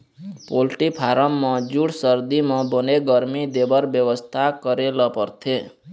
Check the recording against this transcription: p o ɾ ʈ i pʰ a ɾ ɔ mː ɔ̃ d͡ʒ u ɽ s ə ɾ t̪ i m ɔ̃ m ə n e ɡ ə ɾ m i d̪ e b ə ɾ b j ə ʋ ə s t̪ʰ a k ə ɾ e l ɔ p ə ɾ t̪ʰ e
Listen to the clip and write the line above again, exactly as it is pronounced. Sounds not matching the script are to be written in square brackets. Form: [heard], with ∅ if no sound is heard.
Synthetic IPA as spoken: p o [l] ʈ i pʰ a ɾ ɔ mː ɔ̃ d͡ʒ u ɽ s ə ɾ [d̪] i m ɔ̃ [b] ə n e ɡ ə ɾ m i d̪ e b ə ɾ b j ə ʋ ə s t̪ʰ a k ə ɾ e l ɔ p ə ɾ t̪ʰ e